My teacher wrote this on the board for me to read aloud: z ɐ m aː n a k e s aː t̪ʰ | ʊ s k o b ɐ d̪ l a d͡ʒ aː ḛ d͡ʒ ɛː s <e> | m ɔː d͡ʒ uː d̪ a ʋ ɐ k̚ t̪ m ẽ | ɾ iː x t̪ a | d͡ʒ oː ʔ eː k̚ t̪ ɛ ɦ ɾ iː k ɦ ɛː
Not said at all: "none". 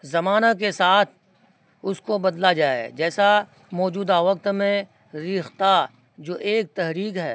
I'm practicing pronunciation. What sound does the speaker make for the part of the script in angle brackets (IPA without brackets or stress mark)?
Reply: a